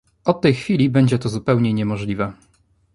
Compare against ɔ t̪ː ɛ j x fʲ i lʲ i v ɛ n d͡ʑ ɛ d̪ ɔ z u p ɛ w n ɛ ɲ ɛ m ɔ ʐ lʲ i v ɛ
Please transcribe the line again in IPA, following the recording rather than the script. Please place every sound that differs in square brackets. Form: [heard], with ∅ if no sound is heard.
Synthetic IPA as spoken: ɔ t̪ː ɛ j x fʲ i lʲ i [b] ɛ [ɲ] d͡ʑ ɛ [t̪] ɔ z u p ɛ w [ɲ] ɛ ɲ ɛ m ɔ ʐ lʲ i v ɛ